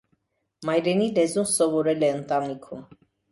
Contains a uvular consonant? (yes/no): no